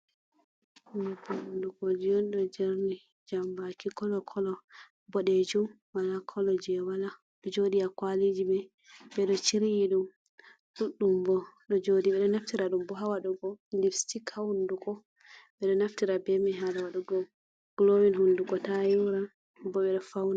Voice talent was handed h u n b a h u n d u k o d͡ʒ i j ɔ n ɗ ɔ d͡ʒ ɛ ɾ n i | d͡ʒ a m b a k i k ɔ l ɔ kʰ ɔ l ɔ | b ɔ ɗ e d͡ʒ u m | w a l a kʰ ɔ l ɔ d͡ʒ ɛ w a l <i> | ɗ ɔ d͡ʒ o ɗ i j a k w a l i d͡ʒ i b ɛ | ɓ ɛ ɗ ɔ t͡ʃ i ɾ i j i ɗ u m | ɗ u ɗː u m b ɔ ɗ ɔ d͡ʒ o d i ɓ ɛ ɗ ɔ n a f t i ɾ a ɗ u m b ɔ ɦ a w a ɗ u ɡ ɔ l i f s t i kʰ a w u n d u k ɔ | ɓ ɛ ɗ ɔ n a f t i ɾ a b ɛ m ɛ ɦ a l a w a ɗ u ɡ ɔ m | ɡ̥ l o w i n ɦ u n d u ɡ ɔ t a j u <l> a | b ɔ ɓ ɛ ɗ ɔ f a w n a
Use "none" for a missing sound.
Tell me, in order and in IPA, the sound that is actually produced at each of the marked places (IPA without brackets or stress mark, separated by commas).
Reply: a, ɾ